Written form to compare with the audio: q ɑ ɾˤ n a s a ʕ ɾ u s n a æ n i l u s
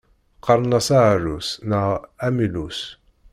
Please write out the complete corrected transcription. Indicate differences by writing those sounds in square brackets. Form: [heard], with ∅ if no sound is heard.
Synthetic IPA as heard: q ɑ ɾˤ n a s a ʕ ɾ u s n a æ [m] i l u s